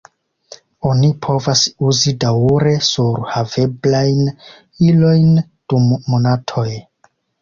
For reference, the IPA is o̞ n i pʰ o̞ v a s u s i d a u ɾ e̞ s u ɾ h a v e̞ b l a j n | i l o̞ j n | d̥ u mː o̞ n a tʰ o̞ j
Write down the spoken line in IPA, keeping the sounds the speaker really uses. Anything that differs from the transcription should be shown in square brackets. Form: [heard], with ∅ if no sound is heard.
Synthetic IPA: o̞ n i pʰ o̞ v a s u [z] i d a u ɾ e̞ s u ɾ h a v e̞ b l a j n | i l o̞ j n | d̥ u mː o̞ n a tʰ o̞ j